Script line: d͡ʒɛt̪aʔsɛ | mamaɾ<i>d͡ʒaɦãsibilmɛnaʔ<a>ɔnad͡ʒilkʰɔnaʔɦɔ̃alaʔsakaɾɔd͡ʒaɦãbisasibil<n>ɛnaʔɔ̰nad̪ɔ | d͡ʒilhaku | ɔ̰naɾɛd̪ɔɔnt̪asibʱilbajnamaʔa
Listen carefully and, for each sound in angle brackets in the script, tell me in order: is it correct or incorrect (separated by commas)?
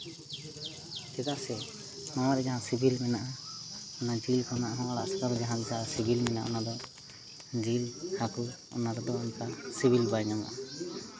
incorrect, correct, incorrect